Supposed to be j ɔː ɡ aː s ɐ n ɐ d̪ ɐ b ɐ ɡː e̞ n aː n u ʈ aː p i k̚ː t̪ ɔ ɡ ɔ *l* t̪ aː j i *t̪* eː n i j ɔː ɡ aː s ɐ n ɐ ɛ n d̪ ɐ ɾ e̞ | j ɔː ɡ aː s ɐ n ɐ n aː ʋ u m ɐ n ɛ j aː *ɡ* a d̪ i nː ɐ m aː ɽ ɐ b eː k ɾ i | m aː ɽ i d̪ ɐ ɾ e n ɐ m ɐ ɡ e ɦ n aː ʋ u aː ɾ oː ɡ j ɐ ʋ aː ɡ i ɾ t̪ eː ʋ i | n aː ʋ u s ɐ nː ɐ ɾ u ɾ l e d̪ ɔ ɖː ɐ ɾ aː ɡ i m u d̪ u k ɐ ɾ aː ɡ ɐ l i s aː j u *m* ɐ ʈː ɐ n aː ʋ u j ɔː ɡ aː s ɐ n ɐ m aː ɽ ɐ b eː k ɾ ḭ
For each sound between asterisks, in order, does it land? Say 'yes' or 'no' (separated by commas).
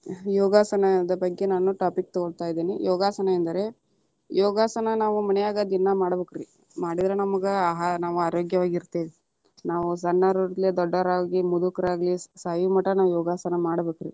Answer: no, no, yes, yes